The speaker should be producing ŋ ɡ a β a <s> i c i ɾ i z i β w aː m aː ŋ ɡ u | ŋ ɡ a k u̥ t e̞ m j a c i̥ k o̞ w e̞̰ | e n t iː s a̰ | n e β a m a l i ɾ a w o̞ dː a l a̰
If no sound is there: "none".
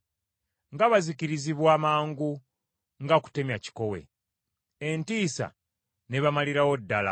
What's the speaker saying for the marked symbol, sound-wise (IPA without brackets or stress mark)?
z